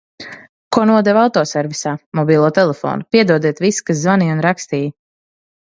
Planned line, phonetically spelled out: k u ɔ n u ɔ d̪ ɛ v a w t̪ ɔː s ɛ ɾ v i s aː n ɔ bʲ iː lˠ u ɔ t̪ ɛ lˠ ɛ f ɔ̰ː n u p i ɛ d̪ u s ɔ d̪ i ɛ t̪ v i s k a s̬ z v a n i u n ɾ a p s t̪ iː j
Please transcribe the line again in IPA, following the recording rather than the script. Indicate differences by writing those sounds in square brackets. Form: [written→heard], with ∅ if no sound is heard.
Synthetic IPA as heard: k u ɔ n u ɔ d̪ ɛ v a w t̪ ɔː s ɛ ɾ v i s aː [n→m] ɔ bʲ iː lˠ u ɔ t̪ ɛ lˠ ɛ f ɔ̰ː n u p i ɛ d̪ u [s→∅] ɔ d̪ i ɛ t̪ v i s k a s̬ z v a n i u n ɾ a [p→k] s t̪ iː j